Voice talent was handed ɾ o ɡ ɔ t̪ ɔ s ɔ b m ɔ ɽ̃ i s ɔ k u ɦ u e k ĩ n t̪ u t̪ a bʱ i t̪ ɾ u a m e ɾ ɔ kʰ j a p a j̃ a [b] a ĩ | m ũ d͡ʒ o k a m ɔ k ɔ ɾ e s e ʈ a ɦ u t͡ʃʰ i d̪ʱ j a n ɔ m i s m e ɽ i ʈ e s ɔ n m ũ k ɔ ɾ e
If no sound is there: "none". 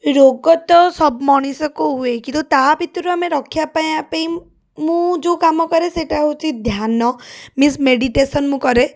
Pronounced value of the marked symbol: p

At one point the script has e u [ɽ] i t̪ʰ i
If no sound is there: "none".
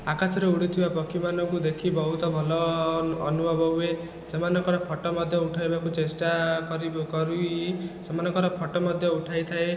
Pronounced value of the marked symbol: ɽ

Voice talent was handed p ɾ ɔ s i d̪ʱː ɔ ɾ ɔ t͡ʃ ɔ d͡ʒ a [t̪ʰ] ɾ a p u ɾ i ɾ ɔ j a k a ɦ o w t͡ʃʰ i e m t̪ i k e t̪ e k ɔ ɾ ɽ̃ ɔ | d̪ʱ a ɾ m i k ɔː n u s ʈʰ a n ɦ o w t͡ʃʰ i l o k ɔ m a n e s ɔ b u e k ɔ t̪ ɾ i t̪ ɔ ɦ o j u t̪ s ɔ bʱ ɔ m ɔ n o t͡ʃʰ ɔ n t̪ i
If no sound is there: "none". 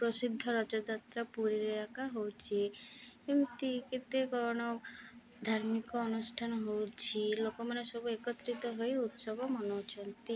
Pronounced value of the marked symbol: t̪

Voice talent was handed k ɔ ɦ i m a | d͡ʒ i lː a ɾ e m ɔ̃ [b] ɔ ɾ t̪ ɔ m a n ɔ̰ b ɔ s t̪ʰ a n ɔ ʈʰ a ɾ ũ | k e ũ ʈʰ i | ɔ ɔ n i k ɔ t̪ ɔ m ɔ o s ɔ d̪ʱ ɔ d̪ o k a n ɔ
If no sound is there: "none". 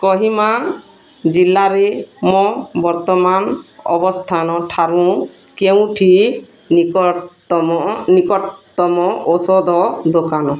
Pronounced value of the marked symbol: b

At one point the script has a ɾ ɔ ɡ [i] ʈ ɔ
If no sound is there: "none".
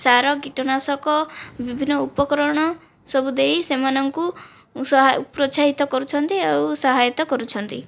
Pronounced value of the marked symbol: i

